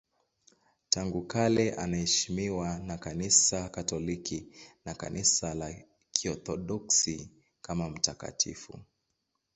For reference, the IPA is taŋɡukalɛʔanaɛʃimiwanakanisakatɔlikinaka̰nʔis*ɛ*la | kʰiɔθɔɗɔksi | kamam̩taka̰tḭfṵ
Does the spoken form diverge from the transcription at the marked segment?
yes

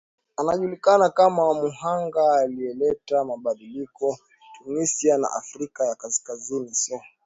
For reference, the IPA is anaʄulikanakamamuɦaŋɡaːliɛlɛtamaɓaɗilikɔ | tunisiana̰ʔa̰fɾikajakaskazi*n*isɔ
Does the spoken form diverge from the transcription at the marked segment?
no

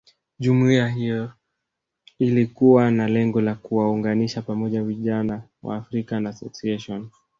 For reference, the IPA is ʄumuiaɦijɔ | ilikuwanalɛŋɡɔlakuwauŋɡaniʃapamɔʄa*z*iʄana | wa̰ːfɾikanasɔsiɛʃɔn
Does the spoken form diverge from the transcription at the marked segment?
yes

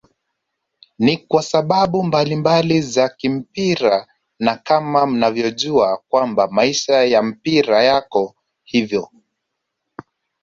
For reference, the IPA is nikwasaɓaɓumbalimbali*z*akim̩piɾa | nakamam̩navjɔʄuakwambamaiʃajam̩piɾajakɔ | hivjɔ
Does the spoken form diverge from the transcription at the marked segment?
no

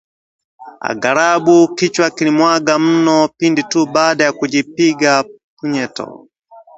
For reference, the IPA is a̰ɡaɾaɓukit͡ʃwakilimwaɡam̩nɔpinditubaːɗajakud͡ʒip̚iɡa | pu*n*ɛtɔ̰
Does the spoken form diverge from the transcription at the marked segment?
yes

